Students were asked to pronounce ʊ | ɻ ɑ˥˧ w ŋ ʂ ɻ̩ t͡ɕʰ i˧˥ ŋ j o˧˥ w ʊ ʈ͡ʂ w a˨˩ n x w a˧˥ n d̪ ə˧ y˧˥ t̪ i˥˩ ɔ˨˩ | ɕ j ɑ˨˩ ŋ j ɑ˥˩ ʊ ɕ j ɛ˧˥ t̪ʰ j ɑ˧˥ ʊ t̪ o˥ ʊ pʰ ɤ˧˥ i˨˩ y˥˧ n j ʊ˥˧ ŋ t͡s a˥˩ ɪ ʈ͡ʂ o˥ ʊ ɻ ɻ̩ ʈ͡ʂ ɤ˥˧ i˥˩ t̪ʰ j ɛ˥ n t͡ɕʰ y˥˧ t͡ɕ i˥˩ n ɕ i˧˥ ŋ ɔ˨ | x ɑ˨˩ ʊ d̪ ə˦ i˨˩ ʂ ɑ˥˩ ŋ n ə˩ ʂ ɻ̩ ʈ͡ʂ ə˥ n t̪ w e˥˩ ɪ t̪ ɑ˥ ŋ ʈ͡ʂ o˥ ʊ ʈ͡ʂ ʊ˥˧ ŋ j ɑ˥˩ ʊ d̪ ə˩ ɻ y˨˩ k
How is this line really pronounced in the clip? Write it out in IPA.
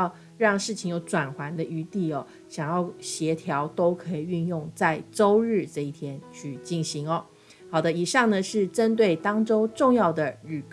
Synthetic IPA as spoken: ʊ | ɻ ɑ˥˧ ŋ ʂ ɻ̩ t͡ɕʰ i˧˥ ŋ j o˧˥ ʊ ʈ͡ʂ w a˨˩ n x w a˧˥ n d̪ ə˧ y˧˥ t̪ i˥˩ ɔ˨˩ | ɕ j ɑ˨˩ ŋ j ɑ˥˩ ʊ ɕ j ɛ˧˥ t̪ʰ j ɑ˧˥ ʊ t̪ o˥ ʊ kʰ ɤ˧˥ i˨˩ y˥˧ n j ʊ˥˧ ŋ t͡s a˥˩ ɪ ʈ͡ʂ o˥ ʊ ɻ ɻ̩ ʈ͡ʂ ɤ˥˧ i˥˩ t̪ʰ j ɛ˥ n t͡ɕʰ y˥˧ t͡ɕ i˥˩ n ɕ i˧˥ ŋ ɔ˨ | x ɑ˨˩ ʊ d̪ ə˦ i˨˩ ʂ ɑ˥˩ ŋ n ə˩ ʂ ɻ̩ ʈ͡ʂ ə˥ n t̪ w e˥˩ ɪ t̪ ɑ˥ ŋ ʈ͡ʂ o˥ ʊ ʈ͡ʂ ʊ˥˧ ŋ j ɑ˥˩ ʊ d̪ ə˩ ɻ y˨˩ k